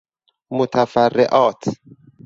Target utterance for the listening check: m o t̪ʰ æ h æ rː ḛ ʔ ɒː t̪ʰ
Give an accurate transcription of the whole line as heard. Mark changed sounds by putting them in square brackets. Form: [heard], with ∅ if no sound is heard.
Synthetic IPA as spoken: m o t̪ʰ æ [f] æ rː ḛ ʔ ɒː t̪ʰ